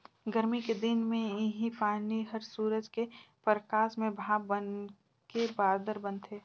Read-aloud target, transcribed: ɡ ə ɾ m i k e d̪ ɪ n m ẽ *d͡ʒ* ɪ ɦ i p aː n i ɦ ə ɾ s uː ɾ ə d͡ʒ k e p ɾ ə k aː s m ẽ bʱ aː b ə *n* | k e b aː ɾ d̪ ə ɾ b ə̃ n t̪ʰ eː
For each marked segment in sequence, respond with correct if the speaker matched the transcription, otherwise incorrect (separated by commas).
incorrect, correct